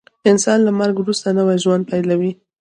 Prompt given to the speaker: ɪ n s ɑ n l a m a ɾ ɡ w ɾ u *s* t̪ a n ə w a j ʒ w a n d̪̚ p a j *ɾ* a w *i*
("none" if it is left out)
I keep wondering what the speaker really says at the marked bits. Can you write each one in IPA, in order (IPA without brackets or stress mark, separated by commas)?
s, l, i